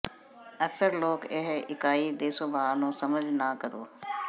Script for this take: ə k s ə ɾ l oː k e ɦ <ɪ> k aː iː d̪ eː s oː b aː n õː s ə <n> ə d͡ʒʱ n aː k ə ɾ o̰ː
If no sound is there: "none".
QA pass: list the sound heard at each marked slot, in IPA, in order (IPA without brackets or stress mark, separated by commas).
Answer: ɪ, m